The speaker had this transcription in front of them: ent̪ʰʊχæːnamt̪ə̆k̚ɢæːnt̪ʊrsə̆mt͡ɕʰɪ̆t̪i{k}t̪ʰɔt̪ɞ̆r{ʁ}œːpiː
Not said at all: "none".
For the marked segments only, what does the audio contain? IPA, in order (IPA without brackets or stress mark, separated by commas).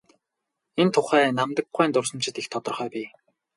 x, χ